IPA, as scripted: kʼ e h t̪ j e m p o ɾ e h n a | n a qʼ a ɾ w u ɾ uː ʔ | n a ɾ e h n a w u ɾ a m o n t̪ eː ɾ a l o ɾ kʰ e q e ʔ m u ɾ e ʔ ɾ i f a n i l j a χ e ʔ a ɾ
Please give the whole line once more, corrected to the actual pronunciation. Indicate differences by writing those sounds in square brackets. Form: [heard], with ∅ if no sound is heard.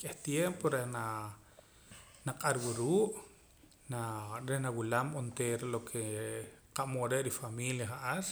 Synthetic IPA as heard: kʼ e h t̪ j e m p o ɾ e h n a | n a qʼ a ɾ w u ɾ uː ʔ | n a ɾ e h n a w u [l] a m o n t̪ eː ɾ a l o [∅] kʰ e q [a] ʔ m [o] ɾ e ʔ ɾ i f a [m] i l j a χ [a] ʔ a ɾ